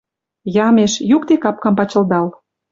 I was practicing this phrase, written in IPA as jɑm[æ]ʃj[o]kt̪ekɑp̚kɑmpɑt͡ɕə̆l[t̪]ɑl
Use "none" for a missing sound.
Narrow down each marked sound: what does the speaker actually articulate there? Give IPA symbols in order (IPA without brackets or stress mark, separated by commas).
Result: e, u, d̪